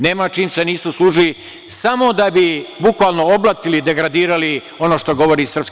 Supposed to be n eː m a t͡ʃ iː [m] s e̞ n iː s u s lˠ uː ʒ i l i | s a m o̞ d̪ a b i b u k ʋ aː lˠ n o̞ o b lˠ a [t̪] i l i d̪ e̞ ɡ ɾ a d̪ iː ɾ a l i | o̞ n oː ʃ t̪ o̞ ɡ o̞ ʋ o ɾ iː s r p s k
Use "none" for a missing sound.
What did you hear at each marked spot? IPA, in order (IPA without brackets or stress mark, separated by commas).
m, t̪